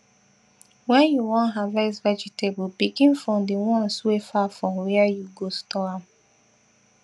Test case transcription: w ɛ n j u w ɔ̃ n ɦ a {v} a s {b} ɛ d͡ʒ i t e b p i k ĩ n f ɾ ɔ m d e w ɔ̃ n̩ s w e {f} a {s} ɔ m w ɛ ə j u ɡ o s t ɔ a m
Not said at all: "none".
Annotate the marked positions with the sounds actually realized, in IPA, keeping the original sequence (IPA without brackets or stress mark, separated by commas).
v, v, f, f